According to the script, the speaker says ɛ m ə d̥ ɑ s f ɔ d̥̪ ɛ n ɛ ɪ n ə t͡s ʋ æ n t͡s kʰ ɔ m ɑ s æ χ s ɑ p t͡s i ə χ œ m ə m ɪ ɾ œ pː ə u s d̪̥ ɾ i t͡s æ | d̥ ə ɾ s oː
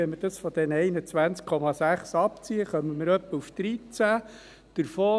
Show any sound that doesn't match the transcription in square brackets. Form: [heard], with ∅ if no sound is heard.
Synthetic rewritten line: ɛ m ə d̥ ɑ s f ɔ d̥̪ ɛ n ɛ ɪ n ə t͡s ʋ æ n t͡s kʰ ɔ m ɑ s æ χ s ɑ p t͡s i ə χ œ m ə m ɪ ɾ œ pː ə u [f] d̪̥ ɾ i t͡s æ | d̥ ə ɾ [f] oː